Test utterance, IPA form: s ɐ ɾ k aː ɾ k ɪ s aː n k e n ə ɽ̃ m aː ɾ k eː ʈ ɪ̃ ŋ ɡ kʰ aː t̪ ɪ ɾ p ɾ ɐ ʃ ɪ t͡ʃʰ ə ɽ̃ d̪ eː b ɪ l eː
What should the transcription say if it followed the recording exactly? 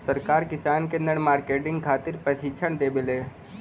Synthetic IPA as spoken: s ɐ ɾ k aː ɾ k ɪ s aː n k e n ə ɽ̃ m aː ɾ k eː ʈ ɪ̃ ŋ ɡ kʰ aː t̪ ɪ ɾ p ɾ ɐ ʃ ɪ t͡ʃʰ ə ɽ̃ d̪ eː b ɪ l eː